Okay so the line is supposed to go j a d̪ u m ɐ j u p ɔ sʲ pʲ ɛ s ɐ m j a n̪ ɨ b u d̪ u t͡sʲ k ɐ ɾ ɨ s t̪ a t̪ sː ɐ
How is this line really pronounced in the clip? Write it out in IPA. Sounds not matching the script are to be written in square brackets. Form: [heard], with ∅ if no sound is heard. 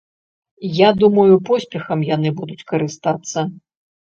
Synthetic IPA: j a d̪ u m ɐ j u p ɔ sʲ pʲ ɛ [x] ɐ m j a n̪ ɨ b u d̪ u t͡sʲ k ɐ ɾ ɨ s t̪ a t̪ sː ɐ